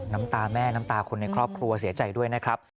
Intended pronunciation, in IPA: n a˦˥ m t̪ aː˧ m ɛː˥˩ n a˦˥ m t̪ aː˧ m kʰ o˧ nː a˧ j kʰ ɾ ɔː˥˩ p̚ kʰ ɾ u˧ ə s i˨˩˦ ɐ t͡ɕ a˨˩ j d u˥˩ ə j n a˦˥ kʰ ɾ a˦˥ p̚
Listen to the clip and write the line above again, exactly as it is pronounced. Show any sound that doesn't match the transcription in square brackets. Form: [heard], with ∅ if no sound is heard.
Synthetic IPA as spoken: n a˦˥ m t̪ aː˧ m ɛː˥˩ n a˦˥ m t̪ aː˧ [∅] kʰ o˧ nː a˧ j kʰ ɾ ɔː˥˩ p̚ kʰ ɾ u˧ [ɐ] s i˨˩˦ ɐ t͡ɕ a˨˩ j d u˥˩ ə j n a˦˥ kʰ ɾ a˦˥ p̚